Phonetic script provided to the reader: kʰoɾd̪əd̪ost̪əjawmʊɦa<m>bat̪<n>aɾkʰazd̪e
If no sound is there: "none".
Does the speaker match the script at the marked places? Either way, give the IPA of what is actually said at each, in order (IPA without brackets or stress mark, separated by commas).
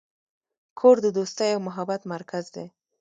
none, m